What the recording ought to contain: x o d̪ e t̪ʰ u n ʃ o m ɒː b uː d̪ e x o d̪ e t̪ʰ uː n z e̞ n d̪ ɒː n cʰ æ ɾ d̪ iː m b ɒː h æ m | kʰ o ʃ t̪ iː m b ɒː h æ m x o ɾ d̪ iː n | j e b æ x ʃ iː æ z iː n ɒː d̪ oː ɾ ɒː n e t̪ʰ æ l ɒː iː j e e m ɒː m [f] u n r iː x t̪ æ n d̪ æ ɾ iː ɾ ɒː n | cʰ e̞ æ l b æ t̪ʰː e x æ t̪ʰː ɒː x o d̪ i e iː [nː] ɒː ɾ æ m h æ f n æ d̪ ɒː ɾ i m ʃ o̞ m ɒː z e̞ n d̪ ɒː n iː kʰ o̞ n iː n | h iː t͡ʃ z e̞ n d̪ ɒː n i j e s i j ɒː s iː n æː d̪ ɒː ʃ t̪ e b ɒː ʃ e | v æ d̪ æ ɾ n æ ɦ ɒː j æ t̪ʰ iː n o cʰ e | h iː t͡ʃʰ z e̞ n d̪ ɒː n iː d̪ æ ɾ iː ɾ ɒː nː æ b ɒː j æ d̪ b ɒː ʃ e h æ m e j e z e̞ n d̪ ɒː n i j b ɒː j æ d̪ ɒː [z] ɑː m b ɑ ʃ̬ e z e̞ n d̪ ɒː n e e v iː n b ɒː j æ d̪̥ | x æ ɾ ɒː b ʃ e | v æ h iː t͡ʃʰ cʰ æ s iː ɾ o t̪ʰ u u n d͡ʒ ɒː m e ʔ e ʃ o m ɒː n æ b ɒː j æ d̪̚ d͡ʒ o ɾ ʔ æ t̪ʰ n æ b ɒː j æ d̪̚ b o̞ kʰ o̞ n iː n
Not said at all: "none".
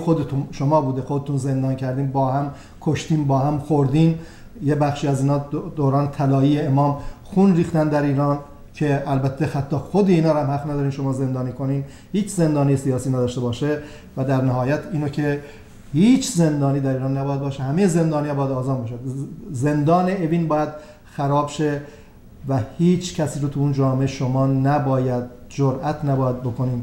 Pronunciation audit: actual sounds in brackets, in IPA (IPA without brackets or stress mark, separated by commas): x, n, z